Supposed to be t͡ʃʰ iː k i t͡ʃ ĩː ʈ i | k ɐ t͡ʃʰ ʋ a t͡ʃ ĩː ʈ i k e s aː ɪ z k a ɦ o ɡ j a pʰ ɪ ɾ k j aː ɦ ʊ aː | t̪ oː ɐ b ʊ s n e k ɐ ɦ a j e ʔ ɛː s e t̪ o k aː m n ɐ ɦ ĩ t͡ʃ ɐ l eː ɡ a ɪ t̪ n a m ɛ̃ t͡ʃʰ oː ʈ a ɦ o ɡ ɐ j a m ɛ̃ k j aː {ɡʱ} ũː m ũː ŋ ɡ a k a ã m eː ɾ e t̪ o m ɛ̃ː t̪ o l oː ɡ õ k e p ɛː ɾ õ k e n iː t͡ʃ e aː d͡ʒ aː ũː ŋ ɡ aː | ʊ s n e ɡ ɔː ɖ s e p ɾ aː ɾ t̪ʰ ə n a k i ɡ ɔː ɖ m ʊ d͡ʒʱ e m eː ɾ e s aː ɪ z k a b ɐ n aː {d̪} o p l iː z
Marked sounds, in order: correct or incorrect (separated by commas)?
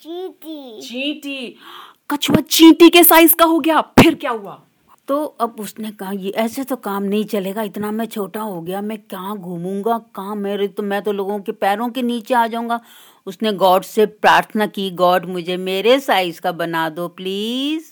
correct, correct